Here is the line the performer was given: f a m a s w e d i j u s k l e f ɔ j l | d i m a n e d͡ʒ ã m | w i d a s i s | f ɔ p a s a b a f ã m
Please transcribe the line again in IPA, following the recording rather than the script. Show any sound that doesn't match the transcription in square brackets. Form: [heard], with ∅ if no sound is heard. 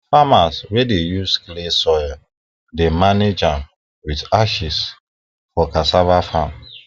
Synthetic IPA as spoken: f a m a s w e d [e] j u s k l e [s] ɔ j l | d [e] m a n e d͡ʒ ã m | w i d a [ʃ] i s | f ɔ [k] a s a [v] a f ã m

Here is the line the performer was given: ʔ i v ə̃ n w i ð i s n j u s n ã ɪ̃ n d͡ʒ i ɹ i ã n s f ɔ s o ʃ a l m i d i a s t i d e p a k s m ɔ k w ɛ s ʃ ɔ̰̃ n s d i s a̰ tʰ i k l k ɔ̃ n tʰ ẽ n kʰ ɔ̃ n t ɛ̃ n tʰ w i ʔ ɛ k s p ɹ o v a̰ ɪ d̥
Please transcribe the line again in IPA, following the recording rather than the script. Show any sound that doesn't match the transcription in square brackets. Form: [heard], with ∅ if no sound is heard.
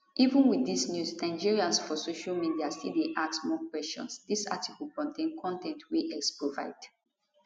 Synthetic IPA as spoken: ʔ i v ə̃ n w i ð i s n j u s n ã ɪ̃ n d͡ʒ i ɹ i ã n s f ɔ s o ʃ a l m i d i a s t i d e [ʔ] a k s m ɔ k w ɛ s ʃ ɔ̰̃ n s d i s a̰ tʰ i k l k ɔ̃ n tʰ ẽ n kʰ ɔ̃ n t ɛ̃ n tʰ w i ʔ ɛ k s p ɹ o v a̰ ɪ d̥

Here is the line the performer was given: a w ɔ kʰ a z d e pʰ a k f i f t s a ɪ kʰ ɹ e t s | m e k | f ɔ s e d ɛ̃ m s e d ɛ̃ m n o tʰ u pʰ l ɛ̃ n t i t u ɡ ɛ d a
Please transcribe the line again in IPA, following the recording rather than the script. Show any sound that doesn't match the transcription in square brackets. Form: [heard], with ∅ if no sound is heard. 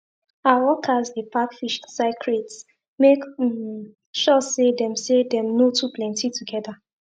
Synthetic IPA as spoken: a w ɔ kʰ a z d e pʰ a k f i [ʃ] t s a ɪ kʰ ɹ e t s | m e k | [ʃ] ɔ s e d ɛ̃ m s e d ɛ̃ m n o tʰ u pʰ l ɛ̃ n t i t u ɡ ɛ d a

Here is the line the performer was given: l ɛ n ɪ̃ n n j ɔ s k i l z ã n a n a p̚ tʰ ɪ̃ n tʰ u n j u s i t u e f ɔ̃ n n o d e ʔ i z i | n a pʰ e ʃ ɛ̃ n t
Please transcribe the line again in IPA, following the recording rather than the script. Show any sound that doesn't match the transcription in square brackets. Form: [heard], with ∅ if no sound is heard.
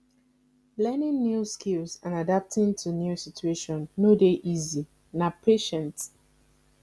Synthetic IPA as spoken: l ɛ n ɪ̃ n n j [u] s k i l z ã n a [d] a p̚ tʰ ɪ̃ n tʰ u n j u s i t u e [ʃ] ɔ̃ n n o d e ʔ i z i | n a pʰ e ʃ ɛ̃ n t

